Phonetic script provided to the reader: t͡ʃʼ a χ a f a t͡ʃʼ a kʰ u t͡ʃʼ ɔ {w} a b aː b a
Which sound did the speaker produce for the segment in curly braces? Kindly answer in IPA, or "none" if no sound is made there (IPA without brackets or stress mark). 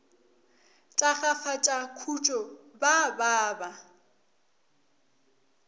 b